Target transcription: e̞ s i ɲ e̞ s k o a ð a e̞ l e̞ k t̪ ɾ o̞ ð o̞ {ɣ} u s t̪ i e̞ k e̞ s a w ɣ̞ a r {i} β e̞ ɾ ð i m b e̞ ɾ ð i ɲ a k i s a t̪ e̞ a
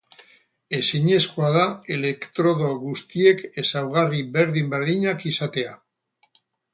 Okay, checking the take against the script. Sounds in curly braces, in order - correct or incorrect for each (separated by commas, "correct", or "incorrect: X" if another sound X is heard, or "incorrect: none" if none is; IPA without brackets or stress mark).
correct, correct